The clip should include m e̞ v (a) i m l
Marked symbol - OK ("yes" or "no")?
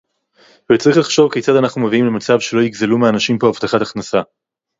no